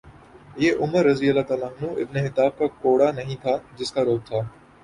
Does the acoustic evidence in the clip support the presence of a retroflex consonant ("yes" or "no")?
yes